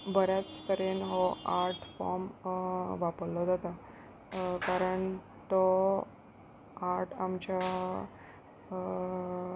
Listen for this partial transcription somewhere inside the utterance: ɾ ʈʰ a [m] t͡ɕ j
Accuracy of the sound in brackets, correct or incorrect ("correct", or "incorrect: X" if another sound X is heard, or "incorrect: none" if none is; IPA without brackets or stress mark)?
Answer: correct